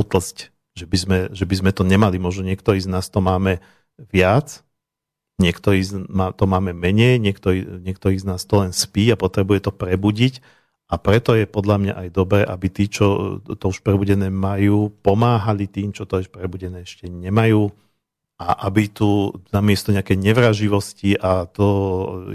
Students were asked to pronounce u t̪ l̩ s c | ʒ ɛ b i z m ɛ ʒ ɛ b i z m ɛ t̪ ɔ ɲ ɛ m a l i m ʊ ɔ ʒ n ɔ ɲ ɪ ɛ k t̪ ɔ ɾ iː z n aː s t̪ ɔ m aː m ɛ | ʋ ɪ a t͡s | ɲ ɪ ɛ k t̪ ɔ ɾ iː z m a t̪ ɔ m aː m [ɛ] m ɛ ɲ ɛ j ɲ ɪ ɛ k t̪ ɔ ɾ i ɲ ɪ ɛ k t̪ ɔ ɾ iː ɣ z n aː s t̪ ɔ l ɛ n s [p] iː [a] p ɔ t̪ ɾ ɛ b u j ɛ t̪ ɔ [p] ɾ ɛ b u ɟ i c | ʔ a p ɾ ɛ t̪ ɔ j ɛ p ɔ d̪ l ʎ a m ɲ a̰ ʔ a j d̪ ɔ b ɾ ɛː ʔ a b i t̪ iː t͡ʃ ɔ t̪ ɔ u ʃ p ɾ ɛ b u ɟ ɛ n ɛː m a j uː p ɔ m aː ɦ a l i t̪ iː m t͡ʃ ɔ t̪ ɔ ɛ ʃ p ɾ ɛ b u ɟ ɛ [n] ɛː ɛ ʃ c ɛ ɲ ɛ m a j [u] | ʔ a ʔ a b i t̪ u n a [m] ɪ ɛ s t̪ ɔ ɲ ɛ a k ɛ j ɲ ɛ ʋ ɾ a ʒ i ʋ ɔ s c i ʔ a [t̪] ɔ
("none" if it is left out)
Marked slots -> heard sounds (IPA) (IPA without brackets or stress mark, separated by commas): ɛ, p, a, p, n, uː, m, t̪